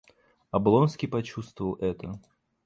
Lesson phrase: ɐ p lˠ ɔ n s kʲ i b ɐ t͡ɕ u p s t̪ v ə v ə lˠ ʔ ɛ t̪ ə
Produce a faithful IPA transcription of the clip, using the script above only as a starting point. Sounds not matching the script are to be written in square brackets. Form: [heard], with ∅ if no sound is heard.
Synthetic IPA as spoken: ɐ [b] lˠ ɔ n s kʲ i [p] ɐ t͡ɕ u [∅] s t̪ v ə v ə lˠ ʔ ɛ t̪ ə